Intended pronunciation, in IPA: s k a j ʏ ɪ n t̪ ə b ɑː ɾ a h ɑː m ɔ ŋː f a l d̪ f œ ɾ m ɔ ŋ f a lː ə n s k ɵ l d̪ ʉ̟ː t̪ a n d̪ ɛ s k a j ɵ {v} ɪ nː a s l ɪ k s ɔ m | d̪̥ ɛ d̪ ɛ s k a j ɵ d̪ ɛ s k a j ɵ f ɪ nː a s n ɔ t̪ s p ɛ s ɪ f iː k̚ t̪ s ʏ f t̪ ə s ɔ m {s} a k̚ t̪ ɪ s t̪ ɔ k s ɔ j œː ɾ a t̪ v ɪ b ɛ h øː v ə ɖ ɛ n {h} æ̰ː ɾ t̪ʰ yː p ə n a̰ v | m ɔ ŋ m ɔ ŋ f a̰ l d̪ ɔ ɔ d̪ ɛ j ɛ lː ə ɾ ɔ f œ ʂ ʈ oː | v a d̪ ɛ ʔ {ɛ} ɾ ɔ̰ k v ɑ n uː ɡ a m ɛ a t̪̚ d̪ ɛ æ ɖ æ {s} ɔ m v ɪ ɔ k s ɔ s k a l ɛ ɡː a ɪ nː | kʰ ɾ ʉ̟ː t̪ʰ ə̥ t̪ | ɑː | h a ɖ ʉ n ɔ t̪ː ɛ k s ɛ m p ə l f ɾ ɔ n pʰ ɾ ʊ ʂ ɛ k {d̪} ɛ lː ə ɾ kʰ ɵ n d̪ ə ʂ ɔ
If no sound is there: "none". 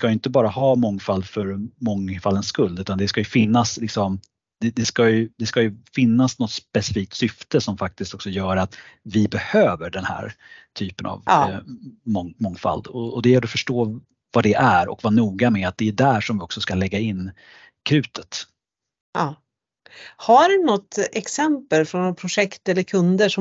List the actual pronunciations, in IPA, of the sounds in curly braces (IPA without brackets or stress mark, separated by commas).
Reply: f, f, h, æ, ʂ, t̪